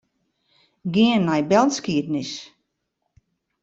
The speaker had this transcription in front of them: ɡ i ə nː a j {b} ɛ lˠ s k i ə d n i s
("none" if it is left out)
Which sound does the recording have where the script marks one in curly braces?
b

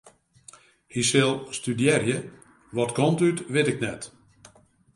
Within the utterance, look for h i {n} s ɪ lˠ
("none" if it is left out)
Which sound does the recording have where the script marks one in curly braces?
none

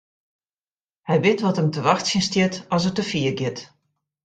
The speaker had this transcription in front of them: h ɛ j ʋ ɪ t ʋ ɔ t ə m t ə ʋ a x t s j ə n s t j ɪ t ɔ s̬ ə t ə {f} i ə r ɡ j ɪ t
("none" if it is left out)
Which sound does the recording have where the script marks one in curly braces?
f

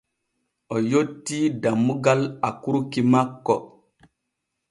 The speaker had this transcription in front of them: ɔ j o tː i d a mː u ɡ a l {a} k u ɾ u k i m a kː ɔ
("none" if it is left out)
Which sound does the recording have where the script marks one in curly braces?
a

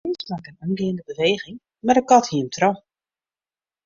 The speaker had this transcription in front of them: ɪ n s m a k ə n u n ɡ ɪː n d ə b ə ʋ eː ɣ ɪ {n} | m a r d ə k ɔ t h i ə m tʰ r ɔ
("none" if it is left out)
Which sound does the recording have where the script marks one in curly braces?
ŋ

